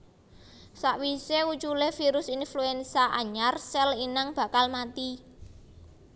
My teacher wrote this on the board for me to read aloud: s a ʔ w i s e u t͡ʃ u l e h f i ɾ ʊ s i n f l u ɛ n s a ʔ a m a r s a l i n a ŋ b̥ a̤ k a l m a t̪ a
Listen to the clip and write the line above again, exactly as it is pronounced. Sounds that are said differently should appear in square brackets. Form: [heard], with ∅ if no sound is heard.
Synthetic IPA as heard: s a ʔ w i s e u t͡ʃ u l e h f i ɾ ʊ s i n f l u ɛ n s a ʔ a [ɲ] a r s [ɛ] l i n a ŋ b̥ a̤ k a l m a t̪ [i]